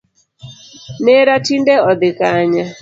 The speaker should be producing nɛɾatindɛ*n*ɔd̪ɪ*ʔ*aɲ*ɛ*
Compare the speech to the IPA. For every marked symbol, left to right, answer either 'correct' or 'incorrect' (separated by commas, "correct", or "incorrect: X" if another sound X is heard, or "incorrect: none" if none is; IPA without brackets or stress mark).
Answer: incorrect: none, incorrect: k, incorrect: a